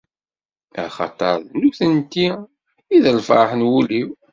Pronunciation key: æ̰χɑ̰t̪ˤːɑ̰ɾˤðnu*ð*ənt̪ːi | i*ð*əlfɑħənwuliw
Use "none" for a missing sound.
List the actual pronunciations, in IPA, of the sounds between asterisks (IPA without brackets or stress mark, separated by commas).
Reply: θ, ð